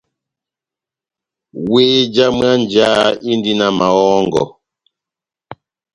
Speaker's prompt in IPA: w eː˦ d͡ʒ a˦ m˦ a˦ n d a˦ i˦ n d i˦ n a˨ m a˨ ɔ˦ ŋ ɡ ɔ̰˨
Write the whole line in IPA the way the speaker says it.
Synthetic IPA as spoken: w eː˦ d͡ʒ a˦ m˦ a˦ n d͡ʒ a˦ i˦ n d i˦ n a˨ m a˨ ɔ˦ ŋ ɡ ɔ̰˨